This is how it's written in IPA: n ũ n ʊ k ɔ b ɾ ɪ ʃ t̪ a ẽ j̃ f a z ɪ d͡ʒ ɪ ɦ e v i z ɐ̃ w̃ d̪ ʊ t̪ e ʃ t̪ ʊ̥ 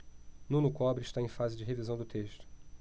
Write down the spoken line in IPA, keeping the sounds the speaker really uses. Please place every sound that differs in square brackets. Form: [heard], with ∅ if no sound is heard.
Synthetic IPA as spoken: n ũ n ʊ k ɔ b ɾ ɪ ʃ t̪ a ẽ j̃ f a z ɪ d͡ʒ ɪ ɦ e v i z ɐ̃ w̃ d̪ ʊ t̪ e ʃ t̪ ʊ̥